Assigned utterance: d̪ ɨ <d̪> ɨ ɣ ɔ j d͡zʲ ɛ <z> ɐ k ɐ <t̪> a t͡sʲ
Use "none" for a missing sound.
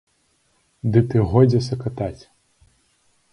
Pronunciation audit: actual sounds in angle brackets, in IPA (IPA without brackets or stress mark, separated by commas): t̪, s, t̪